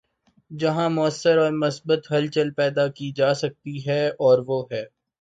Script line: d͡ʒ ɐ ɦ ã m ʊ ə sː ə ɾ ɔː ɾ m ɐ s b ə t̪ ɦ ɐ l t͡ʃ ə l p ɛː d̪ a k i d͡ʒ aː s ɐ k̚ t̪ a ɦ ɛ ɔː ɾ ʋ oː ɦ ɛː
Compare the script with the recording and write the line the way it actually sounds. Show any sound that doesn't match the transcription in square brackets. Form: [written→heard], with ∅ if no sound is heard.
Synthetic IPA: d͡ʒ ɐ ɦ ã m ʊ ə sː ə ɾ ɔː ɾ m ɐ s b ə t̪ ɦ ɐ l t͡ʃ ə l p ɛː d̪ a k i d͡ʒ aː s ɐ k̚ t̪ [a→i] ɦ ɛ ɔː ɾ ʋ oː ɦ ɛː